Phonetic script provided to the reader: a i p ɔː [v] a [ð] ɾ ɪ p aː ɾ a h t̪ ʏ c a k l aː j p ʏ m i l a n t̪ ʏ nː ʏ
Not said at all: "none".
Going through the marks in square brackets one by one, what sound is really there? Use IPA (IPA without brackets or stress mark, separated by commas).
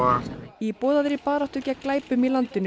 ð, ð